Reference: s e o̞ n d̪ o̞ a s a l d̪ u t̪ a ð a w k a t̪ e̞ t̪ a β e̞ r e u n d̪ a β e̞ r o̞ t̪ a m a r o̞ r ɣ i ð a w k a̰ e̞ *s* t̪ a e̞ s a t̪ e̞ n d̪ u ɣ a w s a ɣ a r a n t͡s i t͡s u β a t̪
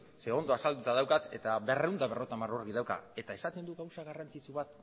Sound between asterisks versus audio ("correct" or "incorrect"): incorrect